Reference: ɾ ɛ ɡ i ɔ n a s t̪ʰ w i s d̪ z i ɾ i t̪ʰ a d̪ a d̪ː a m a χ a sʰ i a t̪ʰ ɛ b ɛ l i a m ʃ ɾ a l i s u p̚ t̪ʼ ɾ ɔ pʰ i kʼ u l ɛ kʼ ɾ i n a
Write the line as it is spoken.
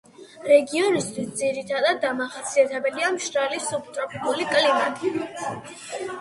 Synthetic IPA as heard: ɾ ɛ ɡ i ɔ n i s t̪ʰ w i s d̪ z i ɾ i t̪ʰ a d̪ a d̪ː a m a χ a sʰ i a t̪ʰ ɛ b ɛ l i a m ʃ ɾ a l i s u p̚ t̪ʼ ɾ ɔ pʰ i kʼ u l i kʼ l i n a